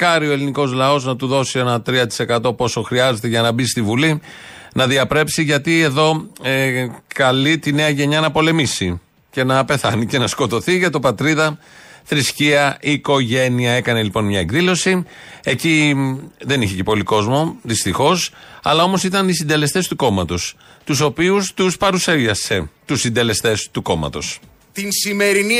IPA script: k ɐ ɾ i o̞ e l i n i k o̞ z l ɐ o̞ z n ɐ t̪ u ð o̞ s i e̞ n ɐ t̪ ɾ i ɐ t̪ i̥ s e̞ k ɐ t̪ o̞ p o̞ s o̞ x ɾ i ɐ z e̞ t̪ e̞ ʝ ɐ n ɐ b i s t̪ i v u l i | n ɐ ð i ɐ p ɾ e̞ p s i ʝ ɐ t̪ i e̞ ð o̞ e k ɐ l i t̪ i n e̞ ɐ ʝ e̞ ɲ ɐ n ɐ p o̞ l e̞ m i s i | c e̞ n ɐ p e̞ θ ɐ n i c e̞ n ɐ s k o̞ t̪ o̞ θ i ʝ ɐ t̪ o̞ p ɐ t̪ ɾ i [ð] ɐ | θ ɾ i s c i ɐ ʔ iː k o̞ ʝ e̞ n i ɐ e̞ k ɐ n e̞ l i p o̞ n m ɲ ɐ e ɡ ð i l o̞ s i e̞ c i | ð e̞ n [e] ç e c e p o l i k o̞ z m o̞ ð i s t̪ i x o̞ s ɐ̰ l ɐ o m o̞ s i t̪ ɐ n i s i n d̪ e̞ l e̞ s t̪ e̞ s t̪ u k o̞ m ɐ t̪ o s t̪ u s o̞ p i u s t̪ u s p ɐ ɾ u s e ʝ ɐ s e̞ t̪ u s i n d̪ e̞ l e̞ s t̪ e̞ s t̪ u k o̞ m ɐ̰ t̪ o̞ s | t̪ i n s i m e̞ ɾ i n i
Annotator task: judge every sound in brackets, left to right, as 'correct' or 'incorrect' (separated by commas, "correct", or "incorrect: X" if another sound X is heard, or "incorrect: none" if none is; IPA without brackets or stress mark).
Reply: correct, incorrect: i